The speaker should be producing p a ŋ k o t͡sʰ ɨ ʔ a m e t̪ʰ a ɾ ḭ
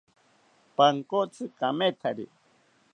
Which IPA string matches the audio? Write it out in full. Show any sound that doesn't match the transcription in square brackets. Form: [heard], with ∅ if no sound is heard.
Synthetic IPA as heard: p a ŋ k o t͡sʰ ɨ [k] a m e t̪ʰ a ɾ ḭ